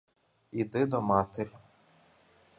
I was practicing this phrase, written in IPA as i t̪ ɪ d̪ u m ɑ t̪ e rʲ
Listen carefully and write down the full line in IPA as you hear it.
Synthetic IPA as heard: i d̪ ɪ d̪ ɔ m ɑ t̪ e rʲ